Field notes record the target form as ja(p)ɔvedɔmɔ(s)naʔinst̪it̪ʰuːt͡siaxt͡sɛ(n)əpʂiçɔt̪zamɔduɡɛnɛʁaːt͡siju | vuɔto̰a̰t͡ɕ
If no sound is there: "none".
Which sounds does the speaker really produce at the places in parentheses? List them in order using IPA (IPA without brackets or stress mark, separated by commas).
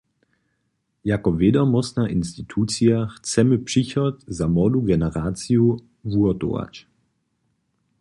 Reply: k, s, m